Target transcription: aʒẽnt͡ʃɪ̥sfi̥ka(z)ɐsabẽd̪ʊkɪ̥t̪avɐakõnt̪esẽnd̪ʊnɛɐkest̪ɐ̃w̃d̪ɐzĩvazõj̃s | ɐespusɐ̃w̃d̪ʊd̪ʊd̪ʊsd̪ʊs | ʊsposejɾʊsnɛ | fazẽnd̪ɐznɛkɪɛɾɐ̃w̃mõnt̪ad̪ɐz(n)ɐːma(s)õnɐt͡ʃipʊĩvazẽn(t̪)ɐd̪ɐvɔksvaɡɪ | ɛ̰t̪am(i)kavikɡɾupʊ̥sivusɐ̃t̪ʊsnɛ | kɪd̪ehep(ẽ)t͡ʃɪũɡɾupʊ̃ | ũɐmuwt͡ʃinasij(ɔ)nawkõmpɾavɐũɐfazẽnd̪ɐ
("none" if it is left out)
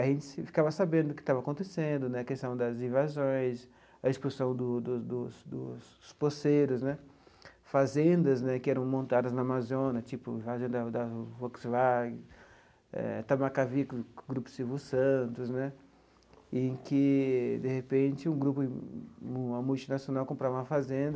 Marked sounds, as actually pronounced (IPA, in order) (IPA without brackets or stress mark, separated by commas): v, n, z, d̪, a, ẽ, o